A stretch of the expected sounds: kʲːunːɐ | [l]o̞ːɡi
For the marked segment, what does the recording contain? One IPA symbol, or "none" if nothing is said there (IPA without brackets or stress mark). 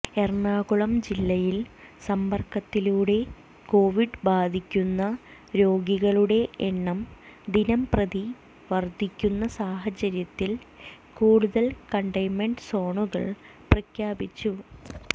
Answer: ɾ